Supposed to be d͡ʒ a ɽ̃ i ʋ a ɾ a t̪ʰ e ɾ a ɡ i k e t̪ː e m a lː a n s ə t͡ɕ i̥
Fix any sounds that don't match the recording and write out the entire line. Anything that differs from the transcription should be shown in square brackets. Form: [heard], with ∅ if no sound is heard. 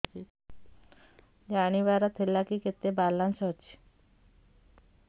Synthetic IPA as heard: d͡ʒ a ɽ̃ i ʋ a ɾ a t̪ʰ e [l] a [k] i k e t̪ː e [b] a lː a n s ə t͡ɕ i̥